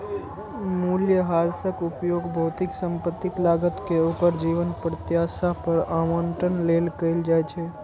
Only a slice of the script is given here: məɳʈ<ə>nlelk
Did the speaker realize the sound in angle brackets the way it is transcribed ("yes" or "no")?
yes